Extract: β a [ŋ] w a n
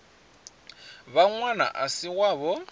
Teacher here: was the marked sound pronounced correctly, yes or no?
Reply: yes